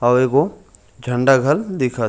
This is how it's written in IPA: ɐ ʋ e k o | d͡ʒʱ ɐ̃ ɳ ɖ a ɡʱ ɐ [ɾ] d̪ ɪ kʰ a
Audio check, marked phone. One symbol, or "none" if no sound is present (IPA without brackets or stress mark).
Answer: l